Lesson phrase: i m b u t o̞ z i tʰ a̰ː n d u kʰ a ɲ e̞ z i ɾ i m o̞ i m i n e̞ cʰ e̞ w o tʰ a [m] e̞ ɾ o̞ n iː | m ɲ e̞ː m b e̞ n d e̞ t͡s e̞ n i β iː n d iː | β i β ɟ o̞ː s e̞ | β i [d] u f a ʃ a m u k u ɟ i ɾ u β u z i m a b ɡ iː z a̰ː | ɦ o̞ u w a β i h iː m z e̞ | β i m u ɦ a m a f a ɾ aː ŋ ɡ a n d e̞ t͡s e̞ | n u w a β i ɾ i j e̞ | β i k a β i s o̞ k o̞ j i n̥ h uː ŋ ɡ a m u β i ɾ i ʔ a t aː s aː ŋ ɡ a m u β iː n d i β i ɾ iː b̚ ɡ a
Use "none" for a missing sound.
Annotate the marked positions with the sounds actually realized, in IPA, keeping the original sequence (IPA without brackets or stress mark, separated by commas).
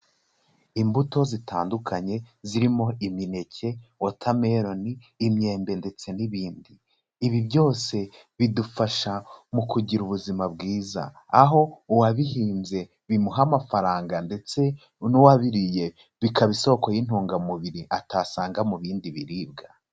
m, d